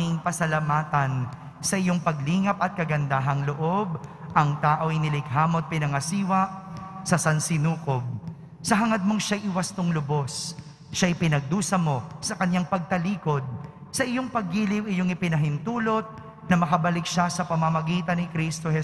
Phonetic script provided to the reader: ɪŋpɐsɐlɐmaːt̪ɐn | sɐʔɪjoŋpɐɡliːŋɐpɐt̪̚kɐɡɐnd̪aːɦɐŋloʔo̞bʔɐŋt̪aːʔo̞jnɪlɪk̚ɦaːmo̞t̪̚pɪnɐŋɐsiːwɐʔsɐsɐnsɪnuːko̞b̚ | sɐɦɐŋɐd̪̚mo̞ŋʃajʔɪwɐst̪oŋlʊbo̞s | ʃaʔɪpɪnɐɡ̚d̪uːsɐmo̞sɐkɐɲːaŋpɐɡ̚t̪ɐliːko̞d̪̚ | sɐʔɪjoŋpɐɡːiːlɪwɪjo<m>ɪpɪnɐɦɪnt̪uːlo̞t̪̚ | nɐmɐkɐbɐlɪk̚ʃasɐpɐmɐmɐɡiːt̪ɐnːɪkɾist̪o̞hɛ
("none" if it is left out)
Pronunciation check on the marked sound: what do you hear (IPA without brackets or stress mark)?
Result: ŋ